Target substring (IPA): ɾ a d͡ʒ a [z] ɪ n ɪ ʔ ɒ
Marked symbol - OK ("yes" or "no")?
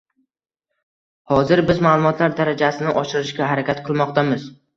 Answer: no